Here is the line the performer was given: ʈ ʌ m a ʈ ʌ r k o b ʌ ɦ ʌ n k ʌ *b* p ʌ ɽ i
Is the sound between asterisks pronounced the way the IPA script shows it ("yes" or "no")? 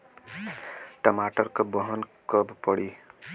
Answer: yes